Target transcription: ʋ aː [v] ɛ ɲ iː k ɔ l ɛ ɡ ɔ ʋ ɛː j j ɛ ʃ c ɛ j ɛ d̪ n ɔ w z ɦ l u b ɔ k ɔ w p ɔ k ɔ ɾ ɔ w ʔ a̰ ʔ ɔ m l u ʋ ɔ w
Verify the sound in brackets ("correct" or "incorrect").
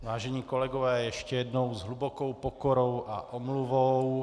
incorrect